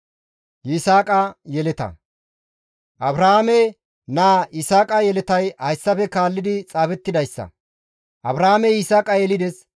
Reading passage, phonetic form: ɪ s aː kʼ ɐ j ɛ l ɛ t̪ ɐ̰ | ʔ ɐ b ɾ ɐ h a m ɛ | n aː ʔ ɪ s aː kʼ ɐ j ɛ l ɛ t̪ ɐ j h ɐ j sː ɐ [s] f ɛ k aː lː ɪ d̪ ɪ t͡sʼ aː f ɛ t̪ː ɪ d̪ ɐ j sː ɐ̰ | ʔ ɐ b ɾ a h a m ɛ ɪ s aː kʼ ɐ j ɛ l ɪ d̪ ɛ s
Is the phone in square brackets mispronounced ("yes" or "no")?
yes